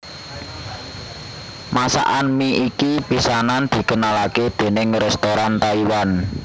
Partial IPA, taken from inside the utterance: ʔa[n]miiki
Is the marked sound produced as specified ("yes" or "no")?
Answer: yes